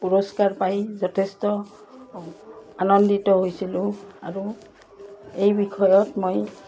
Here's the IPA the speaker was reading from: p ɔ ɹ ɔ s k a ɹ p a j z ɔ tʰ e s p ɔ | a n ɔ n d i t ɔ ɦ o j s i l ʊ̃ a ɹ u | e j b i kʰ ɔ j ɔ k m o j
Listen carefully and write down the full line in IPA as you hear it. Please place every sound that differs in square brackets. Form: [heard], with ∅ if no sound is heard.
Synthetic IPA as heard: p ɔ ɹ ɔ s k a ɹ p a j z ɔ tʰ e s [t] ɔ | a n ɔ n d i t ɔ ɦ o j s i l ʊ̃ a ɹ u | e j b i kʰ ɔ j ɔ [t] m o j